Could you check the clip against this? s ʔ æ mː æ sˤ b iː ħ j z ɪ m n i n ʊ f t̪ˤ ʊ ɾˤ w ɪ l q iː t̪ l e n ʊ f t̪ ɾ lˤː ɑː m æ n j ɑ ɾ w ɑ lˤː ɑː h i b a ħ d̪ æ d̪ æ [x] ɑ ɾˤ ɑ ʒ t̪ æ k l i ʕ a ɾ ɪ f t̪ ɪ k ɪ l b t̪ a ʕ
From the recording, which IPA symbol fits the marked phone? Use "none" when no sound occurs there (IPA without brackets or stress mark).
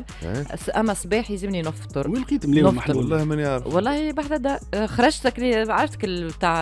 x